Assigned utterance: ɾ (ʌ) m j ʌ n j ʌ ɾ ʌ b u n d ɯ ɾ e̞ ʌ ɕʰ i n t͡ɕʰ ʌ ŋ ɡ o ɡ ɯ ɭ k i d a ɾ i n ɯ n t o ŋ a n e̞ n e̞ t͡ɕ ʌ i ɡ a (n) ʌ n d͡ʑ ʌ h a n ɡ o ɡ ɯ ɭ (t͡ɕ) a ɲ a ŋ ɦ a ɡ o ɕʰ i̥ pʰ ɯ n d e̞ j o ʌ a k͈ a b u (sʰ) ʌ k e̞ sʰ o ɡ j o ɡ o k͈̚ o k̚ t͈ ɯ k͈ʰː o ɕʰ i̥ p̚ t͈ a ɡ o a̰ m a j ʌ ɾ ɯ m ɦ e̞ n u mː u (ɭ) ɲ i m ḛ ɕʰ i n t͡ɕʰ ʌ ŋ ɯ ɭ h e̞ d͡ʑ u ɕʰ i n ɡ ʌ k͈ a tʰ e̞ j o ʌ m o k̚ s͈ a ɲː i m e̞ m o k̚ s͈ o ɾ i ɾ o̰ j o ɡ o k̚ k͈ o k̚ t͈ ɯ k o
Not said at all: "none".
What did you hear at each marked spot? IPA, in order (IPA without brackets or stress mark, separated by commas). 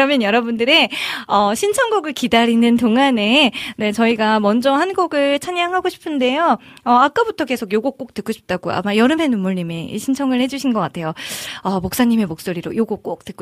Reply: ʌ, m, t͡ɕʰ, tʰ, ɭ